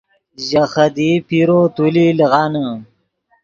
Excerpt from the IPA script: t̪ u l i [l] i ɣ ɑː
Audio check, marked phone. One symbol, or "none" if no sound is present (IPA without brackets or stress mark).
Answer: l